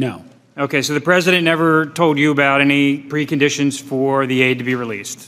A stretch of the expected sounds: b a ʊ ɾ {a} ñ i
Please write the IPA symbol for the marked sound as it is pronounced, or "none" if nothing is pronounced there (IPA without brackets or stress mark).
ɛ